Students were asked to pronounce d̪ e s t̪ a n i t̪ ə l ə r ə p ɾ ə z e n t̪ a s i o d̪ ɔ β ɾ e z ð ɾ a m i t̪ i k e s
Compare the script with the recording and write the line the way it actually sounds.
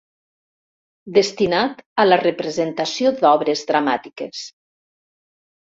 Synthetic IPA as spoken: d̪ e s t̪ i n a t̪ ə l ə r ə p ɾ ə z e n t̪ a s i o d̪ ɔ β ɾ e z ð ɾ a m a t̪ i k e s